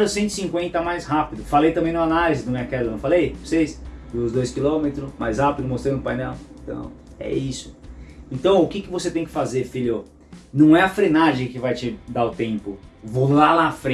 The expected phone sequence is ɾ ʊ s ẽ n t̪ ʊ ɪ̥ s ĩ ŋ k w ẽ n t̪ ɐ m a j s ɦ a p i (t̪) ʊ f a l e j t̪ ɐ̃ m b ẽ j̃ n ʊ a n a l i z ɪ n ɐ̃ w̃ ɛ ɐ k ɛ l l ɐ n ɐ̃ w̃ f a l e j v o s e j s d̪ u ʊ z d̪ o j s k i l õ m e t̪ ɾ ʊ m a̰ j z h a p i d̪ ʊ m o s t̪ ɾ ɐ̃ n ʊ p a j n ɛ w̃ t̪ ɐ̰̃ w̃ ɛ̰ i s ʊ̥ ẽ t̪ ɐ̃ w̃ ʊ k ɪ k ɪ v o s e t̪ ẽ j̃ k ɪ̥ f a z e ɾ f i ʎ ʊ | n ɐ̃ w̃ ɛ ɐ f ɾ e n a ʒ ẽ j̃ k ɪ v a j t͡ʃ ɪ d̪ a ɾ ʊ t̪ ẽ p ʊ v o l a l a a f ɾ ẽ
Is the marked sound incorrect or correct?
incorrect